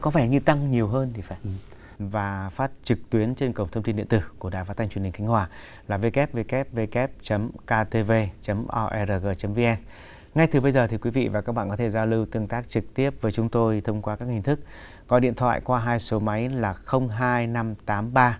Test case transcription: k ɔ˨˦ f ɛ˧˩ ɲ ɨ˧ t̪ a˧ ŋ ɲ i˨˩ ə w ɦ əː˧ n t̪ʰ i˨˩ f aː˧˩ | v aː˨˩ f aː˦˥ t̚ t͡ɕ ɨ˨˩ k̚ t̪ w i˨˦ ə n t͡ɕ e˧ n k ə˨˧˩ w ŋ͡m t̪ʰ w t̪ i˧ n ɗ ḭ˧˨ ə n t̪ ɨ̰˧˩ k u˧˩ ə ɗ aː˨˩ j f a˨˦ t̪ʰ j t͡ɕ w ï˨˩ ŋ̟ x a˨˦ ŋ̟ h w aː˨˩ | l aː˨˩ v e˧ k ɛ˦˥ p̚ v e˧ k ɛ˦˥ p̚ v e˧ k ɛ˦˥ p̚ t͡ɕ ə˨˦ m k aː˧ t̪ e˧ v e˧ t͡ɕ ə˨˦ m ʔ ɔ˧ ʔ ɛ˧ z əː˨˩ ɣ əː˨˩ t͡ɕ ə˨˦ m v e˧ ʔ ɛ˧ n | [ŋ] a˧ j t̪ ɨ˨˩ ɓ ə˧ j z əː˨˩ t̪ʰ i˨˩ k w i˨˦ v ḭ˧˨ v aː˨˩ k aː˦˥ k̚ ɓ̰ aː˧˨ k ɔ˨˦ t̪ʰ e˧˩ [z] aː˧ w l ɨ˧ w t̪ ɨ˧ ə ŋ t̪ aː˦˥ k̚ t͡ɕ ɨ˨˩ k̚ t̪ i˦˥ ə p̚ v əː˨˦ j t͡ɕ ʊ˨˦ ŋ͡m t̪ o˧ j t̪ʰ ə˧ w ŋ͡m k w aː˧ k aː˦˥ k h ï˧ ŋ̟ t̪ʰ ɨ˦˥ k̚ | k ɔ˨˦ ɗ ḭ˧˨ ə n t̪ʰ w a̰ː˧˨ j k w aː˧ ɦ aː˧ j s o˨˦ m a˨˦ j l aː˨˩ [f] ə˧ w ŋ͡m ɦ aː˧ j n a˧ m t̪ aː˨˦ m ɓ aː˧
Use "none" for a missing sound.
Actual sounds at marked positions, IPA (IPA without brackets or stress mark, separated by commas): ŋ, z, x